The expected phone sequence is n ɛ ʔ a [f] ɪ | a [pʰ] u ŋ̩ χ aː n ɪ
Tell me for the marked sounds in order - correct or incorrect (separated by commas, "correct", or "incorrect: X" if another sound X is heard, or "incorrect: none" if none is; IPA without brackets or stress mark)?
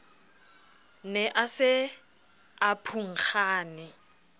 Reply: incorrect: s, correct